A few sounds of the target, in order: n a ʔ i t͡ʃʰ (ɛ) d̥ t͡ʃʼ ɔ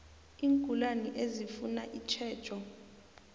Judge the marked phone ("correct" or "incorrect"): incorrect